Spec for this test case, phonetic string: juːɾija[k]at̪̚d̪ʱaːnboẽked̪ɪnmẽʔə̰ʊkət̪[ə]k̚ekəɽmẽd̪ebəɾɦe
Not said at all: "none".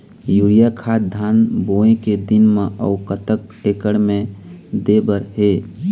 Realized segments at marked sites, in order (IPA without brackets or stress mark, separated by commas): kʰ, ə